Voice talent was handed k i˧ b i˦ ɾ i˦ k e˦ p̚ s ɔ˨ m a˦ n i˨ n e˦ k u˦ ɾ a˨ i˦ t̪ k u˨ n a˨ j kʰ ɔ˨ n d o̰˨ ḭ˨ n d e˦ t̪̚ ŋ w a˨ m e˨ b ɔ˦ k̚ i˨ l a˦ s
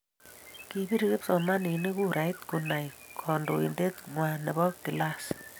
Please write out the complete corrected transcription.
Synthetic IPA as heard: k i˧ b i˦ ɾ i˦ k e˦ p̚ s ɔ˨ m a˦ n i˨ n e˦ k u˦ ɾ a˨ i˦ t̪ k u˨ n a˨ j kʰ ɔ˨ n d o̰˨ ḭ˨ n d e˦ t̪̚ ŋ w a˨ n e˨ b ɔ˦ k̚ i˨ l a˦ s